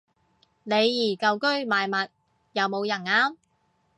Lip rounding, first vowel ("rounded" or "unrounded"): unrounded